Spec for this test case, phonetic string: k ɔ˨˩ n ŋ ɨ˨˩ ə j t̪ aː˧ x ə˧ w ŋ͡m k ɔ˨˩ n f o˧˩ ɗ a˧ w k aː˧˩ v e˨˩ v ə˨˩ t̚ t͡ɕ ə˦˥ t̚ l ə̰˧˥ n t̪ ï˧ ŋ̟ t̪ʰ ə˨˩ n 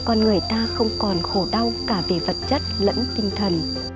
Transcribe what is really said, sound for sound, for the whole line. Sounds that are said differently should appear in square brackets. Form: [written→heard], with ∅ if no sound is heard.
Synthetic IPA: k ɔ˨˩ n ŋ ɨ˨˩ ə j t̪ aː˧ x ə˧ w ŋ͡m k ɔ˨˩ n [f→x] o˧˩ ɗ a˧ w k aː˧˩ v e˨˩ v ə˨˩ t̚ t͡ɕ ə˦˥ t̚ l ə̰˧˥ n t̪ ï˧ ŋ̟ t̪ʰ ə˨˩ n

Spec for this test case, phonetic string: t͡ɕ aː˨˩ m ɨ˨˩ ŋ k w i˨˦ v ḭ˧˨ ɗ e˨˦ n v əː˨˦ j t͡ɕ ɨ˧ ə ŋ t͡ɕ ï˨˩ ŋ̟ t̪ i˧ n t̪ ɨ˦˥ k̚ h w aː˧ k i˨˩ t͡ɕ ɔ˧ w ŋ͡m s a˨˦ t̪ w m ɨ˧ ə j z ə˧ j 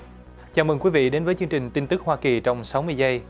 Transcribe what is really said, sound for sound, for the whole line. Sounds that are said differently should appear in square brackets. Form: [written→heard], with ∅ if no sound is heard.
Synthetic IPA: t͡ɕ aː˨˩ m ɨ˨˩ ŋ k w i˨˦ v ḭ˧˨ ɗ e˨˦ n v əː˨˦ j t͡ɕ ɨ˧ ə ŋ t͡ɕ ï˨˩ ŋ̟ t̪ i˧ n t̪ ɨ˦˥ k̚ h w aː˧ k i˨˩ t͡ɕ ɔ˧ w ŋ͡m s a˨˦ [t̪→∅] w m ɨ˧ ə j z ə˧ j

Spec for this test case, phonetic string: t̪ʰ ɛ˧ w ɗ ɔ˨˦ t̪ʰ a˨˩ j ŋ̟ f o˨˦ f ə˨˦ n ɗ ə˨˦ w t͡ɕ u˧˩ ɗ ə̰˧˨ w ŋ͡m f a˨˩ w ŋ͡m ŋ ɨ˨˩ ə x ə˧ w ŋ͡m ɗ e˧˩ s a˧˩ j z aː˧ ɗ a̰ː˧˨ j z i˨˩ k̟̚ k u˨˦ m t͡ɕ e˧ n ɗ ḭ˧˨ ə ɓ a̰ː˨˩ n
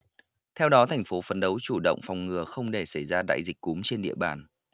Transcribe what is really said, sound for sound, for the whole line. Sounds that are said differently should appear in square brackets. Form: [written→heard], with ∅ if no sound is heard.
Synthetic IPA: t̪ʰ ɛ˧ w ɗ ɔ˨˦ t̪ʰ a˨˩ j ŋ̟ f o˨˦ f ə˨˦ n ɗ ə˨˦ w t͡ɕ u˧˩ ɗ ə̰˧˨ w ŋ͡m f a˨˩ w ŋ͡m ŋ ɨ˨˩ ə x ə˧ w ŋ͡m ɗ e˧˩ s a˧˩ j z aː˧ ɗ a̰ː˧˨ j z i˨˩ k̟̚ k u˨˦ m t͡ɕ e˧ n ɗ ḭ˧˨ ə ɓ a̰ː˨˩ n

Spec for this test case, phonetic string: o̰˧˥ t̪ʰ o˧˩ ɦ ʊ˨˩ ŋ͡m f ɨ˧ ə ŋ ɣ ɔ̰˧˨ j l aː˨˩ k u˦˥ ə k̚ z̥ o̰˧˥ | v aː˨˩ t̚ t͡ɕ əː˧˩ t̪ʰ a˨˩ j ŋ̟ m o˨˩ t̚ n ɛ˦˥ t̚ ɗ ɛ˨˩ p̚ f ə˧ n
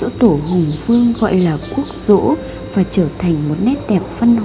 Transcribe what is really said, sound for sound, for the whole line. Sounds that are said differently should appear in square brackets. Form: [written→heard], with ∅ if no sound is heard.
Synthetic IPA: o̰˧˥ [t̪ʰ→t̪] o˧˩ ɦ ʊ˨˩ ŋ͡m f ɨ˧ ə ŋ ɣ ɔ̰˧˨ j l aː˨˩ k u˦˥ ə k̚ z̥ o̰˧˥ | v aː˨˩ [t̚→∅] t͡ɕ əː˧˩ t̪ʰ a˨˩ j ŋ̟ m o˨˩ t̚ n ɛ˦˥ t̚ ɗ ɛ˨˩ p̚ f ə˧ n

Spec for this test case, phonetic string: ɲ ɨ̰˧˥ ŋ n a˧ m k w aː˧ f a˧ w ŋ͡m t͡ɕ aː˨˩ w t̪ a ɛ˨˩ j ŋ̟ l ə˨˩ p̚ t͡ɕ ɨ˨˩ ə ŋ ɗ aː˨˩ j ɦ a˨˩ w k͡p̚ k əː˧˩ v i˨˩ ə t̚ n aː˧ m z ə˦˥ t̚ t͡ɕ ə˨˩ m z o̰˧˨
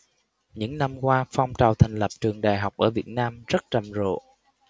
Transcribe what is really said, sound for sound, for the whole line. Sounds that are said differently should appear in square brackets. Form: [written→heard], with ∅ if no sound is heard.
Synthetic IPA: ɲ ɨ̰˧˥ ŋ n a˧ m k w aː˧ f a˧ w ŋ͡m t͡ɕ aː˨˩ w [t̪→t̪ʰ] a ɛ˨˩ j ŋ̟ l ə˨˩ p̚ t͡ɕ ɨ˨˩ ə ŋ ɗ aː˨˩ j ɦ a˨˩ w k͡p̚ [k→ʔ] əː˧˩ v i˨˩ ə t̚ n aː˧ m z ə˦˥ t̚ t͡ɕ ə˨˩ m z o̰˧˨

